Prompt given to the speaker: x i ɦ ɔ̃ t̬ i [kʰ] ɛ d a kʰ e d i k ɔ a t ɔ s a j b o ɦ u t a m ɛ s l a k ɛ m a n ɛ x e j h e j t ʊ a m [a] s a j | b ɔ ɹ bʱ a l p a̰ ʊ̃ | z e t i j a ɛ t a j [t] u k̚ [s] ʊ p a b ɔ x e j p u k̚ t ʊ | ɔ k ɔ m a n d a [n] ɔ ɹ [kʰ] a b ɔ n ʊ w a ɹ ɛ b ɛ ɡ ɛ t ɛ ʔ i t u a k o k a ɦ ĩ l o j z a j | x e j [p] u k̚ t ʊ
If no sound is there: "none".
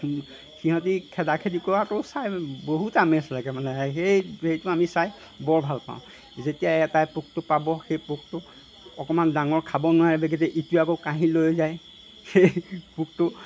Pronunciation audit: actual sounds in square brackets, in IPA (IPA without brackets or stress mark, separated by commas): kʰ, i, p, t, ŋ, kʰ, p